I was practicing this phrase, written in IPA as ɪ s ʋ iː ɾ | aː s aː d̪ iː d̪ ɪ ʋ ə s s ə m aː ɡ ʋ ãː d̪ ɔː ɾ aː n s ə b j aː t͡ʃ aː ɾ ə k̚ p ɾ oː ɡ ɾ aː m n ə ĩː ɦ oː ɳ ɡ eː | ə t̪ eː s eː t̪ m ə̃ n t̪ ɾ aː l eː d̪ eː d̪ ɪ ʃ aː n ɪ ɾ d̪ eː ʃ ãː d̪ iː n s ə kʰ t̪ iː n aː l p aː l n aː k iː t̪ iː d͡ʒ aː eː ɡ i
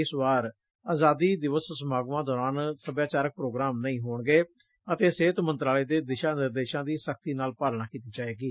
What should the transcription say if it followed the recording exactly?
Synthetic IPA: ɪ s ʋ aː ɾ | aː z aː d̪ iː d̪ ɪ ʋ ə s s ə m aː ɡ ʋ ãː d̪ ɔː ɾ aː n s ə b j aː t͡ʃ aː ɾ ə k̚ p ɾ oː ɡ ɾ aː m n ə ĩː ɦ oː ɳ ɡ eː | ə t̪ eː s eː t̪ m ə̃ n t̪ ɾ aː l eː d̪ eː d̪ ɪ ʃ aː n ɪ ɾ d̪ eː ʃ ãː d̪ iː s ə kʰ t̪ iː n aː l p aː l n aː k iː t̪ iː d͡ʒ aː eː ɡ iː

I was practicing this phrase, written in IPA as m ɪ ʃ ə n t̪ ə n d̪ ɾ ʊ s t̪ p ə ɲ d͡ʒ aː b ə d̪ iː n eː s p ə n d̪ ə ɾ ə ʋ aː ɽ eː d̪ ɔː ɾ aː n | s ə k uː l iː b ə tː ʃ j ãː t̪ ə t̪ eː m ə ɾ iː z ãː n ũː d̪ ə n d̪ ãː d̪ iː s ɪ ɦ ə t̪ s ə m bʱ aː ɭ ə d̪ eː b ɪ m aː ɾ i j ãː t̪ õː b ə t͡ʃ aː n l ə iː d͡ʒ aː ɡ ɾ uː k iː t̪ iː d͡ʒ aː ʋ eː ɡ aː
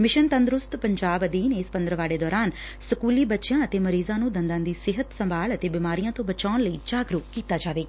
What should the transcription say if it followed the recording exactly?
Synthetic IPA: m ɪ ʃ ə n t̪ ə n d̪ ɾ ʊ s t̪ p ə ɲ d͡ʒ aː b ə d̪ iː n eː s p ə n d̪ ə ɾ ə ʋ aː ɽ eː d̪ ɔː ɾ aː n | s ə k uː l iː b ə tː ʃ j ãː ə t̪ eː m ə ɾ iː z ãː n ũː d̪ ə n d̪ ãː d̪ iː s ɪ ɦ ə t̪ s ə m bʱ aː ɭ ə t̪ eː b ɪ m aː ɾ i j ãː t̪ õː b ə t͡ʃ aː n l ə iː d͡ʒ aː ɡ ɾ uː k iː t̪ aː d͡ʒ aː ʋ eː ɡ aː

